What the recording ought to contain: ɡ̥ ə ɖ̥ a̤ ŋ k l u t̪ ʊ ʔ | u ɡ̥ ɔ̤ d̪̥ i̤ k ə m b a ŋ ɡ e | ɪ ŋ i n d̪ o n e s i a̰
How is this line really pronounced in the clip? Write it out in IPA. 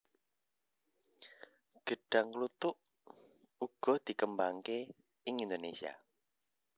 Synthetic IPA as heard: ɡ̥ ə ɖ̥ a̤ ŋ k l u t̪ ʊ ʔ | u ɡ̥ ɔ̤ d̪̥ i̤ k ə m b a ŋ k e | ɪ ŋ i n d̪ o n e s i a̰